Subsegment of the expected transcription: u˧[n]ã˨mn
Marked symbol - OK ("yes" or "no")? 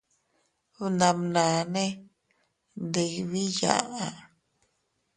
yes